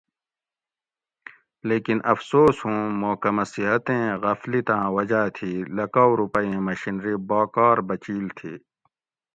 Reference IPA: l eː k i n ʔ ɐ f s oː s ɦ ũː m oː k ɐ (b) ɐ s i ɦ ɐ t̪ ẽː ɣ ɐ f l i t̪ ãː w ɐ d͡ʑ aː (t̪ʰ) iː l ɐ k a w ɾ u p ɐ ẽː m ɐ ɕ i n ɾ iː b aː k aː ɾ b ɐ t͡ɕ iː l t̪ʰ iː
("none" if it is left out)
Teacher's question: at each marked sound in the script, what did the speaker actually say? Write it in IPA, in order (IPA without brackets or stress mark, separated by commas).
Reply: m, t̪ʰ